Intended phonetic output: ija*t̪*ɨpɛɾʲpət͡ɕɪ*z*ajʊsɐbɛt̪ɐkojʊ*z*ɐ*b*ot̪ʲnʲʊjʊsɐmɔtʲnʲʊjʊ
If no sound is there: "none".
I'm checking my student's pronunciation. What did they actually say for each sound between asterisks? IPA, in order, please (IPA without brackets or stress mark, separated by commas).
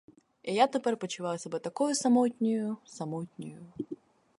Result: t̪, v, s, m